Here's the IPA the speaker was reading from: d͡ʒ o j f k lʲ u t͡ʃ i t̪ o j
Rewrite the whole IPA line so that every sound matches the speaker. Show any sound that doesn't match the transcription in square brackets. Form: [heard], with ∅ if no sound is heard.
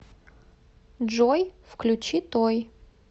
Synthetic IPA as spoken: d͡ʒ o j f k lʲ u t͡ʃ i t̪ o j